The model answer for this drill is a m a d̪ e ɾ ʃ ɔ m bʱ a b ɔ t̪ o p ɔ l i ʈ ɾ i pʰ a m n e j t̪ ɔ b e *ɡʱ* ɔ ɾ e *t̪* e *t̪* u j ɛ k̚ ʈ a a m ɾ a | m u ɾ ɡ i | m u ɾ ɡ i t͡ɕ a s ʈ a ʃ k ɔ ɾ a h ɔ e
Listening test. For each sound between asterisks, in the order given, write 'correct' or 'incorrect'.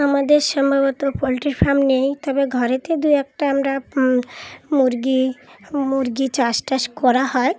correct, correct, incorrect

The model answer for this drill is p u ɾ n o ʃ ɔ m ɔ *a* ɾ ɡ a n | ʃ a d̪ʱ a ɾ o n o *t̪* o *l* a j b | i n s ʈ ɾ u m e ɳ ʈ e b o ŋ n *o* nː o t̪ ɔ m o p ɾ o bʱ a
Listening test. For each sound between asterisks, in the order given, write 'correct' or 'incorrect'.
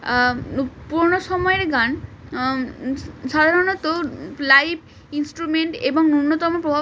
incorrect, correct, correct, incorrect

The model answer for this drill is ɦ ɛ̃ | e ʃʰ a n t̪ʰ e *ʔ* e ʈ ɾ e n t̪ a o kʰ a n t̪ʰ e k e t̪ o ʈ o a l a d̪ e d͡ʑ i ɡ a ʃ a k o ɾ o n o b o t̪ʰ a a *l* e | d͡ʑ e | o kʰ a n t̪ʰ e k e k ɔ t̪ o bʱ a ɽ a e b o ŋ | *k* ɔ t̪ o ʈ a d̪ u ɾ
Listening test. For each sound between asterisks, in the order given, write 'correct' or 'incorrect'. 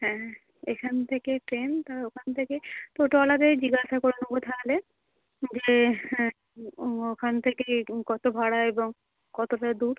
incorrect, correct, correct

